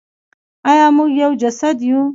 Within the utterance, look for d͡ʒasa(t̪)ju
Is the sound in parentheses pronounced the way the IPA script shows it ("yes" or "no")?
no